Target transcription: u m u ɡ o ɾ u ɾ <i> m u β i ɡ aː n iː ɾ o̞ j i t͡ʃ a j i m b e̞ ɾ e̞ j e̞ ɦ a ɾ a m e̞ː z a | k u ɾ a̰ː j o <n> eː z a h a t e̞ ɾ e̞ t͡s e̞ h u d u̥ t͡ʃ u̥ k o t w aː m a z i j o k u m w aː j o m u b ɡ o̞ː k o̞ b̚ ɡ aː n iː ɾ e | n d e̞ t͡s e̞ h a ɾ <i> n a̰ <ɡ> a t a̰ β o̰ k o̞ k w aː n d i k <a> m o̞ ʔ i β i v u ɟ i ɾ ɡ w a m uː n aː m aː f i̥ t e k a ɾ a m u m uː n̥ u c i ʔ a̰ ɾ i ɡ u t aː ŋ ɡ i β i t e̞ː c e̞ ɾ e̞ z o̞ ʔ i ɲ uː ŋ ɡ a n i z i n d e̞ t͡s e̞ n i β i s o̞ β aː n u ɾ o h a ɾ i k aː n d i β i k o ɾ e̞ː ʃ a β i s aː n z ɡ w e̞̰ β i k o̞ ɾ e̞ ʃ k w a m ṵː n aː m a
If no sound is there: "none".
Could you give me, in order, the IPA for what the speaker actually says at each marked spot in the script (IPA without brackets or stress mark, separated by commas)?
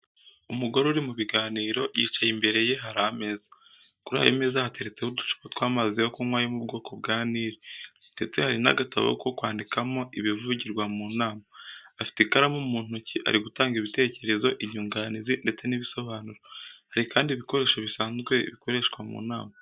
i, m, i, ɡ, a